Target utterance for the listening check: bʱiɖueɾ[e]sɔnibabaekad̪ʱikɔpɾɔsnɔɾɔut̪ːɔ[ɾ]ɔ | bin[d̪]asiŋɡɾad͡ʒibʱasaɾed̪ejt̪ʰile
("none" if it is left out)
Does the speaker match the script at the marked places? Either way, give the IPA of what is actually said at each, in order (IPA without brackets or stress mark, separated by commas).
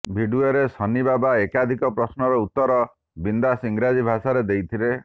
e, ɾ, d̪